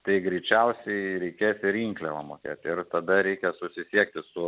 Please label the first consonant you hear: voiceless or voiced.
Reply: voiceless